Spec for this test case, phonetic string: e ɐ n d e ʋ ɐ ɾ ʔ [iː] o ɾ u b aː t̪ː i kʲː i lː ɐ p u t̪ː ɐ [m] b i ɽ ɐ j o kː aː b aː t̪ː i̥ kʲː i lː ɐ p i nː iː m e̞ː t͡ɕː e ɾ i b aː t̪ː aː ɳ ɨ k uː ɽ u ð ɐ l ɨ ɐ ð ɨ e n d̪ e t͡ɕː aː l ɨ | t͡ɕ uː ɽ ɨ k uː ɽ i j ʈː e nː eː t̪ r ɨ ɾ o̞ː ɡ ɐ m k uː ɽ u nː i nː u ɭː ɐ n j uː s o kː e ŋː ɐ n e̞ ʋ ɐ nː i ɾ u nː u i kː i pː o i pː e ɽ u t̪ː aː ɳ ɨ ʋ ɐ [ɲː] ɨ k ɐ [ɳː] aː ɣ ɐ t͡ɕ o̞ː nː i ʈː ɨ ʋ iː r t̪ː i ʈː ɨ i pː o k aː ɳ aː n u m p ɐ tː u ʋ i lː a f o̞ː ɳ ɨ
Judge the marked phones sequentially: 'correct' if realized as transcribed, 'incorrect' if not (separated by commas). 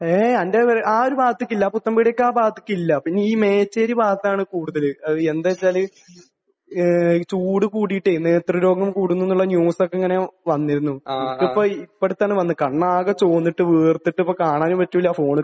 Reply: incorrect, correct, incorrect, correct